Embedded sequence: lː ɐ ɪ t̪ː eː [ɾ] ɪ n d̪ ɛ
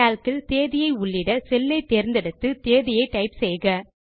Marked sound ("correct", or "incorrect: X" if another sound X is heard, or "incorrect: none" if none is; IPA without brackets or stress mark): correct